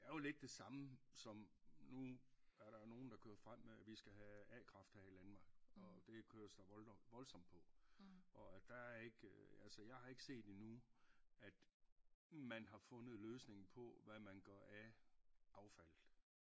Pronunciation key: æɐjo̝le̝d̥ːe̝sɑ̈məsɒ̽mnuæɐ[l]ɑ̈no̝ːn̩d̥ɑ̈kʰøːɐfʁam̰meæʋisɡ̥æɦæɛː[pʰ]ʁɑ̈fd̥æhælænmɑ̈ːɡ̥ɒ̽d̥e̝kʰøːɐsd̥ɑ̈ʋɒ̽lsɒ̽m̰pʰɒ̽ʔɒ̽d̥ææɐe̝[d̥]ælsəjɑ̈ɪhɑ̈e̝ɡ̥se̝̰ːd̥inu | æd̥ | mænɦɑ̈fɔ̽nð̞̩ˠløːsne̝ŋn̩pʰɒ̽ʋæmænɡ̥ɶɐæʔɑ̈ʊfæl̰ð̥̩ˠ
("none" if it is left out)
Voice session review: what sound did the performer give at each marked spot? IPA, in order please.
ɾ, kʰ, ɡ̥

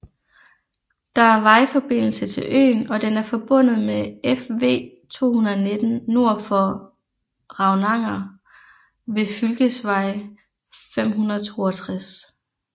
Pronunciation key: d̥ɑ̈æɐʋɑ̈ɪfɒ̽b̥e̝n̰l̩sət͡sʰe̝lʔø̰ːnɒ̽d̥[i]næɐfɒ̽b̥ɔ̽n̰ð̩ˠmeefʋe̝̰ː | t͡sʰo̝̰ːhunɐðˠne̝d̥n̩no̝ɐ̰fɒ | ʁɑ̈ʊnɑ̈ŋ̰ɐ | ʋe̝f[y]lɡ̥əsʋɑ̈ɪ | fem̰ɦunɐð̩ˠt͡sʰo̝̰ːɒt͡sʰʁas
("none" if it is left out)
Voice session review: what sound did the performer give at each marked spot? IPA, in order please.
e, y

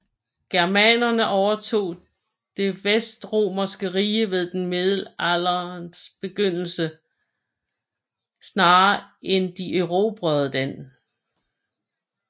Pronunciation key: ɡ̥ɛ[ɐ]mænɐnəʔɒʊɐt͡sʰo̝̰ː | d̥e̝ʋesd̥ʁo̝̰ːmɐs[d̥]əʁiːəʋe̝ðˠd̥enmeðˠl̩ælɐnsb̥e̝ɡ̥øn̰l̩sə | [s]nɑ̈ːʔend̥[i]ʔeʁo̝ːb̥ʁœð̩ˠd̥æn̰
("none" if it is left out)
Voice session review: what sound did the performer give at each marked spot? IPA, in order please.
ɐ, ɡ̥, s, i

